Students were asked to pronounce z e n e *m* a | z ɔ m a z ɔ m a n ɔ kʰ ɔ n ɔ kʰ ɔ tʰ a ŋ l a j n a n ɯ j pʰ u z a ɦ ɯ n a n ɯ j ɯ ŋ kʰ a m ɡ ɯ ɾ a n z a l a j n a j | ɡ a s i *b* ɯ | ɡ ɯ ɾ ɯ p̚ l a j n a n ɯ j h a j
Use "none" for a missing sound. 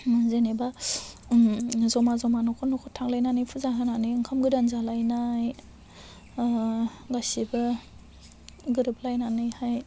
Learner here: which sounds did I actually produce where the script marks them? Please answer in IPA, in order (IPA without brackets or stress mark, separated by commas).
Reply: b, b